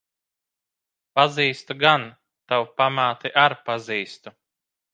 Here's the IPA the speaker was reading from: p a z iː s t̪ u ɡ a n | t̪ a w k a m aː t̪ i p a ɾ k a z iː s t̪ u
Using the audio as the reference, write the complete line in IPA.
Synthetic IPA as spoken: p a z iː s t̪ u ɡ a n | t̪ a w p a m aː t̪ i ʔ a ɾ p a z iː s t̪ u

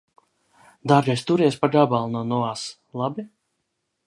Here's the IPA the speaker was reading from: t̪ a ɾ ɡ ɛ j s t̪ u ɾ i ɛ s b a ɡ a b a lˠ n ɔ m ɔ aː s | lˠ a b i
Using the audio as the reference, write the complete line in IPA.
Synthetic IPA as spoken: d̪ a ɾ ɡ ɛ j s t̪ u ɾ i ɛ s p a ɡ a b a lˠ n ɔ n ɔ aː s | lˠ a b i

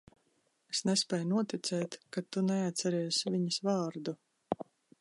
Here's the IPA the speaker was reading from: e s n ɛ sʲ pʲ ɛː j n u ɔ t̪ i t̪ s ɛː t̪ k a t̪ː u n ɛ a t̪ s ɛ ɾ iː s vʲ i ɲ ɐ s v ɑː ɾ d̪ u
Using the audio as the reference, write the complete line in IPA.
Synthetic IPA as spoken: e s n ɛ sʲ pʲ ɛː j n u ɔ t̪ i t̪ s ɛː t̪ k a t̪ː u n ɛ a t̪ s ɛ ɾ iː s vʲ i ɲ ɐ s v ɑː ɾ d̪ u

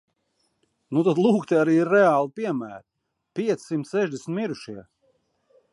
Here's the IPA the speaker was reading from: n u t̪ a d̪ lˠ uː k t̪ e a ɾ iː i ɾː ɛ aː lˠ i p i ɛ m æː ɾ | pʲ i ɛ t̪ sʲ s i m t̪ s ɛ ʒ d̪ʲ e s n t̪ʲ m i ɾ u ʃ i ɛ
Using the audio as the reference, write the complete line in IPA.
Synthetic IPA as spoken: n u t̪ a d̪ lˠ uː k t̪ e a ɾ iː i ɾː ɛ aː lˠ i p i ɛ m æː ɾ | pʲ i ɛ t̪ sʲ s i m t̪ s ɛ ʒ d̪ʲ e s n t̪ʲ m i ɾ u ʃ i ɛ

